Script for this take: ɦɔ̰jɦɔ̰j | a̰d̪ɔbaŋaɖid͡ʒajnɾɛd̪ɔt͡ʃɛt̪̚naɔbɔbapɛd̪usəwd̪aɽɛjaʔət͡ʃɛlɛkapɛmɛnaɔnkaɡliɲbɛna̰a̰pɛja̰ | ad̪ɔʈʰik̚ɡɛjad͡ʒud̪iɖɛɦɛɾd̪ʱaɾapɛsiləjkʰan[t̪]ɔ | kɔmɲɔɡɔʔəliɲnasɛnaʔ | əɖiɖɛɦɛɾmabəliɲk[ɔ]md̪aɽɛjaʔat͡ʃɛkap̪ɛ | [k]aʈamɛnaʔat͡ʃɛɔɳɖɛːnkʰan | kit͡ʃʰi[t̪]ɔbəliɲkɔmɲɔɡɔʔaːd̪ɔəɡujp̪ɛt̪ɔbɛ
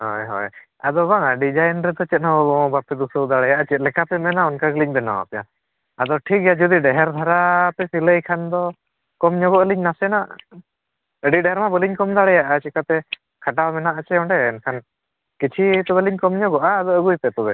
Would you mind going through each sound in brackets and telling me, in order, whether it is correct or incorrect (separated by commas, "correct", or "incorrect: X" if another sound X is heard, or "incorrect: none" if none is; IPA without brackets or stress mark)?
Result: incorrect: d̪, correct, incorrect: kʰ, correct